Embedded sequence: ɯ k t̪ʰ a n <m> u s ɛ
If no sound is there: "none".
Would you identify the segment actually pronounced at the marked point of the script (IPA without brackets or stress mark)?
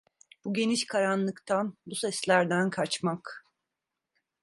b